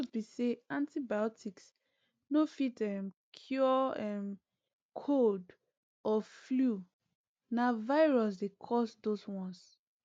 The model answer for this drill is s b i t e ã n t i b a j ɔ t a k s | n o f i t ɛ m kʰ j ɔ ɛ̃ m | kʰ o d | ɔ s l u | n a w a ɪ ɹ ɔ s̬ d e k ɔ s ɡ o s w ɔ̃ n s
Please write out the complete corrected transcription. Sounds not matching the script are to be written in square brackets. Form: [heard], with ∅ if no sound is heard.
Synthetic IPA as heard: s b i [s] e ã n t i b a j ɔ t [i] k s | n o f i t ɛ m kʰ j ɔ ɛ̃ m | kʰ o d | ɔ [f] l u | n a [v] a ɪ ɹ ɔ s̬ d e [kʰ] ɔ s [d] o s w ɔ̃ n s